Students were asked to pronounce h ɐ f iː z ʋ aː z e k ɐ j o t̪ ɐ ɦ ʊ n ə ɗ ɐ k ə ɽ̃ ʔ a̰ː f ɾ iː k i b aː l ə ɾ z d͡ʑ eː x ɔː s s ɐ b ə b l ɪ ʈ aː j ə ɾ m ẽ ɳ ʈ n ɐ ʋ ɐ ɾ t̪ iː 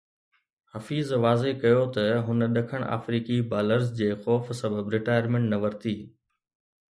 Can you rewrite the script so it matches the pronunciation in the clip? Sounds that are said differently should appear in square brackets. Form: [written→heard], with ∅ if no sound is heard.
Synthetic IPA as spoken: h ɐ f iː z ʋ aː z e k ɐ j o t̪ ɐ ɦ ʊ n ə ɗ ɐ [k→kʰ] ə ɽ̃ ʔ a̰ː f ɾ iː k i b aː l ə ɾ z d͡ʑ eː x ɔː [s→f] s ɐ b ə b [l→ɾ] ɪ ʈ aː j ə ɾ m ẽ ɳ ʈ n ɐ ʋ ɐ ɾ t̪ iː